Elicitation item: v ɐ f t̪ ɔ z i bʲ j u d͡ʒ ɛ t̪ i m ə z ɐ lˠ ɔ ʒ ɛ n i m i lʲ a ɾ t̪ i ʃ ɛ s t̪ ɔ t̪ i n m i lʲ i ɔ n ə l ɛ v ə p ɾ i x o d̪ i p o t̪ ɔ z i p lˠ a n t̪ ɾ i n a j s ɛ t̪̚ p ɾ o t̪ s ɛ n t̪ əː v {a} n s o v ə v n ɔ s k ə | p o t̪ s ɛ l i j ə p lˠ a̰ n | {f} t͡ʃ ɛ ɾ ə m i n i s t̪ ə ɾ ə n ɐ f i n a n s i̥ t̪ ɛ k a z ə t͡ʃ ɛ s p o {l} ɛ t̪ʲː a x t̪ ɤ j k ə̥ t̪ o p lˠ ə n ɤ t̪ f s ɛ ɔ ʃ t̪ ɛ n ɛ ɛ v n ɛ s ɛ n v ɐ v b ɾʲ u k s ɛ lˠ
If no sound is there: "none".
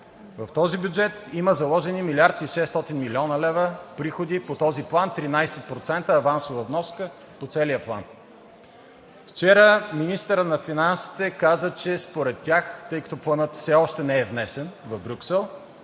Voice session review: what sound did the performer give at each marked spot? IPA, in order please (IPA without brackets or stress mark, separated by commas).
a, f, ɾ